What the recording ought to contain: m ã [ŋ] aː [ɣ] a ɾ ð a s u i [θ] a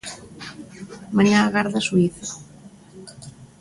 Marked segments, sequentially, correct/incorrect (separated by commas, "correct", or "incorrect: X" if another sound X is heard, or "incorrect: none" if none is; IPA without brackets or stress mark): incorrect: ɲ, correct, correct